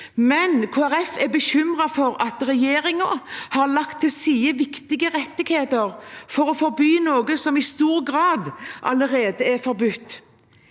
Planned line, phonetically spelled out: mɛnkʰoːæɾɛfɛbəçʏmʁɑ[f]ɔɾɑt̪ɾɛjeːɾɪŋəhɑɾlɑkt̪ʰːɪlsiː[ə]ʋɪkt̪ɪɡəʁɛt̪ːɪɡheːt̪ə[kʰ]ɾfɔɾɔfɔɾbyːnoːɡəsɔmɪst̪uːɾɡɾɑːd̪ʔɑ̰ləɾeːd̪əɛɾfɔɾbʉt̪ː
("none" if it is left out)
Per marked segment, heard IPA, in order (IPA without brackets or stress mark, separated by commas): f, ə, none